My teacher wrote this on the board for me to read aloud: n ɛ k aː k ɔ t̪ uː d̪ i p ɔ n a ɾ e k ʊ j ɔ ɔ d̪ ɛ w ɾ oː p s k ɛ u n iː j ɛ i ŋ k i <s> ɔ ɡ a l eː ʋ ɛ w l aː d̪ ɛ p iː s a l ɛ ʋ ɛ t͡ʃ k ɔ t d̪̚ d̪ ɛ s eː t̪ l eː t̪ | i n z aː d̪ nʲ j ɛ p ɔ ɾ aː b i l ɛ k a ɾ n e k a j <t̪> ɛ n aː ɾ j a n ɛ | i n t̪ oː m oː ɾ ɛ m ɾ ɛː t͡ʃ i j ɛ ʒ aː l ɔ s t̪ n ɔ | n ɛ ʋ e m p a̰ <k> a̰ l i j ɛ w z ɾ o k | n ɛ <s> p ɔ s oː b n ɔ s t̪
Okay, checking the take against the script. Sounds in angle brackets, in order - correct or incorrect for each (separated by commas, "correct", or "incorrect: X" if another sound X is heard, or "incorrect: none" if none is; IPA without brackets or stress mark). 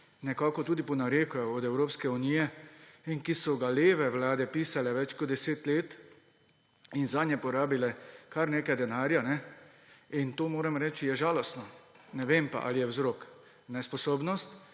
correct, incorrect: d̪, incorrect: ʔ, correct